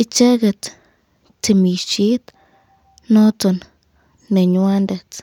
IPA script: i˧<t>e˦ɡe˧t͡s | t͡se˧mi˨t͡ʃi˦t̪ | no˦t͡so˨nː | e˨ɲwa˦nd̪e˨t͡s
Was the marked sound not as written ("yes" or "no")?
yes